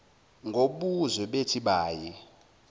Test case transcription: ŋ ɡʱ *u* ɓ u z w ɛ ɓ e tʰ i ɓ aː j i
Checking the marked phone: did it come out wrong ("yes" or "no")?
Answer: yes